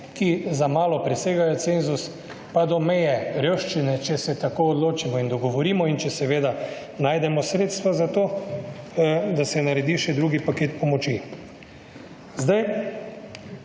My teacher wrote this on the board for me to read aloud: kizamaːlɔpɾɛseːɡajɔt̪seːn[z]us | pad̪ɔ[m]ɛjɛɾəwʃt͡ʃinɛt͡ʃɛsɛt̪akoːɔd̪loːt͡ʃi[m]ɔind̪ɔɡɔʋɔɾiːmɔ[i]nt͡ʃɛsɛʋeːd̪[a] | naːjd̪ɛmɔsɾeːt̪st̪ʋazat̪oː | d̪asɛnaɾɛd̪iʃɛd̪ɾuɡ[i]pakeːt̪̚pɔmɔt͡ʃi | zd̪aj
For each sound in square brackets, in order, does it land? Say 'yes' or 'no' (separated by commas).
yes, yes, yes, yes, yes, yes